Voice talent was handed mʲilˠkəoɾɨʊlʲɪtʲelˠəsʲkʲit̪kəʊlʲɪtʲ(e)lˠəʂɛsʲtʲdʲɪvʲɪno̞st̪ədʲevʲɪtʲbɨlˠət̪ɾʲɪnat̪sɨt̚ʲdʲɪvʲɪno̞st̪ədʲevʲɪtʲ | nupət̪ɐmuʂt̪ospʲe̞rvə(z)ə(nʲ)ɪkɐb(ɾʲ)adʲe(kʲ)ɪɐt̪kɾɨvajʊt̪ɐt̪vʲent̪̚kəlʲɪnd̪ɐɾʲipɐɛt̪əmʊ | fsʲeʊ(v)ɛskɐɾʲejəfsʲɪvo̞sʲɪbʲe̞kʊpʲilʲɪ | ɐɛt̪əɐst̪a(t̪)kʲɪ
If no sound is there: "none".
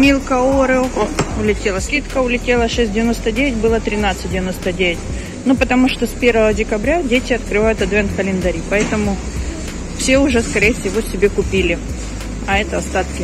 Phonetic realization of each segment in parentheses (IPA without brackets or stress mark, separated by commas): e, v, dʲ, ɾʲ, tʲ, ʐ, t̪